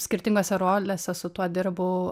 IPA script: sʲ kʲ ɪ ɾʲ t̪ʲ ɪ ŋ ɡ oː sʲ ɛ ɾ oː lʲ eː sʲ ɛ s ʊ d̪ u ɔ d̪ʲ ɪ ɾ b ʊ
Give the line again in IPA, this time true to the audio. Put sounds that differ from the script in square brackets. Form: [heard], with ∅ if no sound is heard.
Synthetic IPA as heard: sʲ kʲ ɪ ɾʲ t̪ʲ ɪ ŋ ɡ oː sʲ ɛ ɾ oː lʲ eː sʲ ɛ s ʊ [t̪] u ɔ d̪ʲ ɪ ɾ b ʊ